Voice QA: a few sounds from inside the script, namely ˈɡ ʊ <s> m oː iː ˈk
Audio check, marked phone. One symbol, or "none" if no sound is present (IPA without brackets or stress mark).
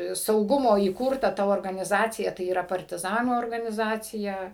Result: none